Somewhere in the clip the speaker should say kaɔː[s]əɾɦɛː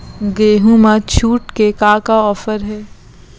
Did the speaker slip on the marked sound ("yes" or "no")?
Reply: yes